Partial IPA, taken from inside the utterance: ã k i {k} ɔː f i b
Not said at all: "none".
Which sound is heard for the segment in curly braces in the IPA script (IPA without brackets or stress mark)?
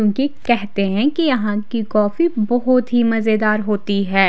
k